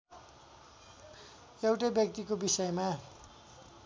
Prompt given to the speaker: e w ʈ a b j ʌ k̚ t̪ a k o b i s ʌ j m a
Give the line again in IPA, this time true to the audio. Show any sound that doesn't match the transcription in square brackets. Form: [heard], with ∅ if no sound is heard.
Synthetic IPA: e w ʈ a b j ʌ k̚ t̪ [i] k o b i s ʌ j m a